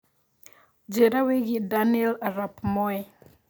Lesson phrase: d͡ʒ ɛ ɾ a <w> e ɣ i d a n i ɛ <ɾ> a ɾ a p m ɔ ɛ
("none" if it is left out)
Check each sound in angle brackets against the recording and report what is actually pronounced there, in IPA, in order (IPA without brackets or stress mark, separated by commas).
w, l